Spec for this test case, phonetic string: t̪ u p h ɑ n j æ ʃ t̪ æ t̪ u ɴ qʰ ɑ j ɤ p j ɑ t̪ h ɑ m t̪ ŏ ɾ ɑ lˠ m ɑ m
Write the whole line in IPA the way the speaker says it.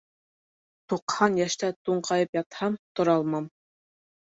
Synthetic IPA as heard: t̪ u q h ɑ n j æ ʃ t̪ æ t̪ u ɴ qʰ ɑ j ɤ p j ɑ t̪ h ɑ m t̪ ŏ ɾ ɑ lˠ m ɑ m